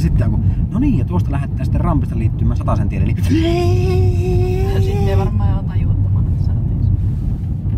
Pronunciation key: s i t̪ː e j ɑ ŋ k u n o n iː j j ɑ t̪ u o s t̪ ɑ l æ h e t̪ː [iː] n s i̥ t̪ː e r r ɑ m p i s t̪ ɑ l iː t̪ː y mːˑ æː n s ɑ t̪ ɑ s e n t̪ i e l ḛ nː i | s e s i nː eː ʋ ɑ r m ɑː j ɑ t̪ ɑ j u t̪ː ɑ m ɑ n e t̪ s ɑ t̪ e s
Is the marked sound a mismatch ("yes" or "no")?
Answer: yes